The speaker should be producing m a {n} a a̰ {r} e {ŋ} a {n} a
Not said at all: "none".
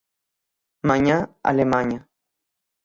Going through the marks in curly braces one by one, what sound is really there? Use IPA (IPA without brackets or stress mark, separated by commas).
ɲ, l, m, ɲ